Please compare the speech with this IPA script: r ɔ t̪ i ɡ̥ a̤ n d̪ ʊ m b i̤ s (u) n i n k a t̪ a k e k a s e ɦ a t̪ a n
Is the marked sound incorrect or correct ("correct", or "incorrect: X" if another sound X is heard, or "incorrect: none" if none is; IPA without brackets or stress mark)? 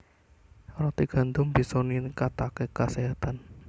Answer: incorrect: ɔ